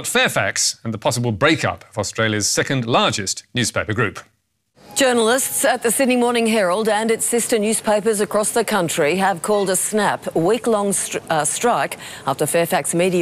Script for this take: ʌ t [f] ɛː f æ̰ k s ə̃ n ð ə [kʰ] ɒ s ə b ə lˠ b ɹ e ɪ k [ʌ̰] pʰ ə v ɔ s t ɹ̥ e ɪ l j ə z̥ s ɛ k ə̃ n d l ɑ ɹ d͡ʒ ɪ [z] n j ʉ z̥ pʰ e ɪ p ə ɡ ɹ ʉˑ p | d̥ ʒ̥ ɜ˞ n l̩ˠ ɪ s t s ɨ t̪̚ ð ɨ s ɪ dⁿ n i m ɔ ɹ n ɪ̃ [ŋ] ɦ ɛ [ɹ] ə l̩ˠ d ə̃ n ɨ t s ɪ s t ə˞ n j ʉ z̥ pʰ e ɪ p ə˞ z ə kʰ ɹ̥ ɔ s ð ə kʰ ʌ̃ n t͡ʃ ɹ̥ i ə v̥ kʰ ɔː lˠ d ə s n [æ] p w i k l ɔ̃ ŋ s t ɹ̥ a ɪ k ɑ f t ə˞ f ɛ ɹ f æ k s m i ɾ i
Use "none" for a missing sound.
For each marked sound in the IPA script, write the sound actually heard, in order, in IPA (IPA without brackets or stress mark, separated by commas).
f, pʰ, ʌ̰, s, ŋ, ɹ, æ